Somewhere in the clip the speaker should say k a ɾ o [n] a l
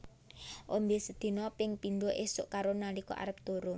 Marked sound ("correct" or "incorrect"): correct